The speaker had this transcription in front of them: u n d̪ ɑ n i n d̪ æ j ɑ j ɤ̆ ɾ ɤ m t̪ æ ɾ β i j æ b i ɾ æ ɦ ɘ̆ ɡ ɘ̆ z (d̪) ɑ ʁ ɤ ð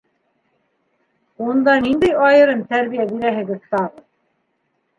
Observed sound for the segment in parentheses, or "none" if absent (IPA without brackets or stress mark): t̪